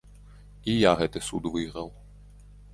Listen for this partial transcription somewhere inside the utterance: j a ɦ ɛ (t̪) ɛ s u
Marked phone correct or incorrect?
correct